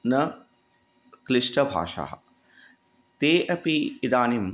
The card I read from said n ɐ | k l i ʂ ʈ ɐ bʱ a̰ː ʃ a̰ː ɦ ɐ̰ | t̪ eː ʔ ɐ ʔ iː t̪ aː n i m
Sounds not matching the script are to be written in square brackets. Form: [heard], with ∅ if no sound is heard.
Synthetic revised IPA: n ɐ | k l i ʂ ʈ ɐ bʱ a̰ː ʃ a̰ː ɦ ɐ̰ | t̪ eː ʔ ɐ [p] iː [d̪] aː n i m